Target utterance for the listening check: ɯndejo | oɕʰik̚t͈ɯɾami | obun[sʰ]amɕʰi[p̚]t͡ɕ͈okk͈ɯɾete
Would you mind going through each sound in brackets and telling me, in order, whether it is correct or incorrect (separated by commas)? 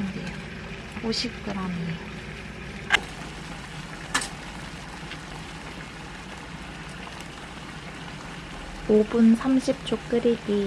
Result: correct, correct